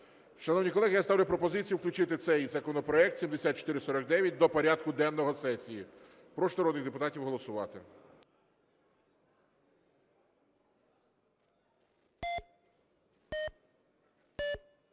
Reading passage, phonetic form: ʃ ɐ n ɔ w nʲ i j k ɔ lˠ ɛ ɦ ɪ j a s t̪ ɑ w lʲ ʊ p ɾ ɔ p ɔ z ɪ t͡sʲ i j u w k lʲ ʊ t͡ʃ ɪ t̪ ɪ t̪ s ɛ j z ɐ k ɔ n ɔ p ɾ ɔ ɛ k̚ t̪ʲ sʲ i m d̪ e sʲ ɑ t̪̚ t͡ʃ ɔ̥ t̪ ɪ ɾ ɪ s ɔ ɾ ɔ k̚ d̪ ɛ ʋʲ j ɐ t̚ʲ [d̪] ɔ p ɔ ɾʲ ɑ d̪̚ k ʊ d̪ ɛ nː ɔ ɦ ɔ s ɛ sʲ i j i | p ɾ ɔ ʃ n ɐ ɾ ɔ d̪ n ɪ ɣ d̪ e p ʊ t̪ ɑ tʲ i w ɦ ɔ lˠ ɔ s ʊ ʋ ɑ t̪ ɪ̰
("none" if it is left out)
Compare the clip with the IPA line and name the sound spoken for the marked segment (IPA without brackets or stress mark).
d̪